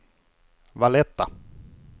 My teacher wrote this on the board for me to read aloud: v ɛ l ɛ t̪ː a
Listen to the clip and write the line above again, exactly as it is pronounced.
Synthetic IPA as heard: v a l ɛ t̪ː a